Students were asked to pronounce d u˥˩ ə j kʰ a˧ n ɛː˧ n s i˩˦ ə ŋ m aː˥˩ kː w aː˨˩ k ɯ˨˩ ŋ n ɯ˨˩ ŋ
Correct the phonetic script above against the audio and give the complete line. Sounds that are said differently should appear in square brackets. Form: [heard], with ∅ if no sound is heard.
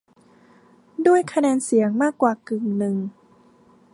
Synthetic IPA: d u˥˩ ə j kʰ a˧ n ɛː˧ n s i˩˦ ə ŋ m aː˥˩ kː w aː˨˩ k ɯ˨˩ ŋ n ɯ˨˩ ŋ